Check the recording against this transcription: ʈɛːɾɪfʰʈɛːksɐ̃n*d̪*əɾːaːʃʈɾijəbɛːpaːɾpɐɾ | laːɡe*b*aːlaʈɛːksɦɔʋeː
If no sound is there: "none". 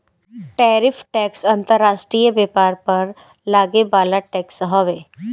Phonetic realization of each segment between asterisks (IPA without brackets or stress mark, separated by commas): t̪, b